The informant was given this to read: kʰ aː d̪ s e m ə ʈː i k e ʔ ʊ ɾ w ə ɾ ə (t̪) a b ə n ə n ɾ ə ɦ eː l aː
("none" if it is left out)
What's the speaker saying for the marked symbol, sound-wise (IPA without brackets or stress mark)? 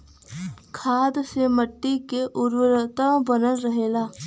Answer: t̪